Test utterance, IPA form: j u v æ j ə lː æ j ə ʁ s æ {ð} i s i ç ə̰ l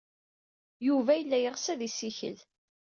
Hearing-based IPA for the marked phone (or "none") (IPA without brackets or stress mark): ð